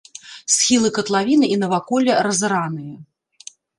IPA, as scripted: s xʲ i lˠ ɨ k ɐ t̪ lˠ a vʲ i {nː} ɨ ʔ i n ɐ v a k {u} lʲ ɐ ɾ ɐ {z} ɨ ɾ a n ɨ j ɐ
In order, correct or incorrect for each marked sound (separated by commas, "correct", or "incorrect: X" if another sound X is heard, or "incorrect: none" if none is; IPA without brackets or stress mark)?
incorrect: n, incorrect: ɔ, correct